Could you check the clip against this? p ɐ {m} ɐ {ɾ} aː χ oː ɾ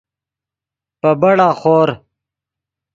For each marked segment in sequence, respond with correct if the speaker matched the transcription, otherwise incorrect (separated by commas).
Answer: incorrect, incorrect